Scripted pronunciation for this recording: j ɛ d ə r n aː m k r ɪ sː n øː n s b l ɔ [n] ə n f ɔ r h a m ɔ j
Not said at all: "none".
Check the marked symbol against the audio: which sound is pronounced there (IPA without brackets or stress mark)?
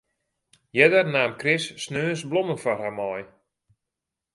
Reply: m